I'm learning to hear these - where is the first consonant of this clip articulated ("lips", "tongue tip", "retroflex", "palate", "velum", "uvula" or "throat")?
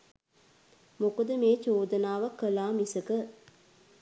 lips